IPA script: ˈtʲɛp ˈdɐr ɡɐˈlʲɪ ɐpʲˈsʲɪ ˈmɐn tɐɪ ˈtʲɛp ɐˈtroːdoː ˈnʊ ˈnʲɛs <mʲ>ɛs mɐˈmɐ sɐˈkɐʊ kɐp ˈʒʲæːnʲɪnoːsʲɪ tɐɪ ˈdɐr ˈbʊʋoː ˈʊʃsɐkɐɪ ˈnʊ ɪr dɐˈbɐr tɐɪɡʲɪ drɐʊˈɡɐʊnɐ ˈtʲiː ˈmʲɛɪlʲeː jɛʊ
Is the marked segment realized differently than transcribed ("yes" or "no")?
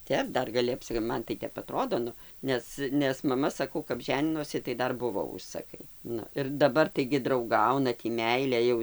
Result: yes